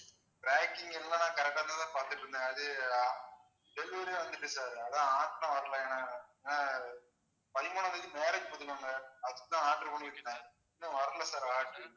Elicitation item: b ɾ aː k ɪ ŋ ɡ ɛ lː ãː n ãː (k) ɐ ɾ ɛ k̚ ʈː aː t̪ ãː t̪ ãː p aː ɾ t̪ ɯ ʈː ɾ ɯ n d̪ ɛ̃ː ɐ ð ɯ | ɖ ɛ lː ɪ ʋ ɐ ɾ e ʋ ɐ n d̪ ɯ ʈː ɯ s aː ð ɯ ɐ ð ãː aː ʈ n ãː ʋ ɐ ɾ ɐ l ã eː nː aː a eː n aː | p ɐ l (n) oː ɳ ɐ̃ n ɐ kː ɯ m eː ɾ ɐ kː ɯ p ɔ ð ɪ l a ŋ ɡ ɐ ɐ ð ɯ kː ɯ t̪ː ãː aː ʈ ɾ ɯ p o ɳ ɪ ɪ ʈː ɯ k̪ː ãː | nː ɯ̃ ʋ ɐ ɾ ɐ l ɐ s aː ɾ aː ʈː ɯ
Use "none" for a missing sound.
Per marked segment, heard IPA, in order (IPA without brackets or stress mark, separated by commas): k, m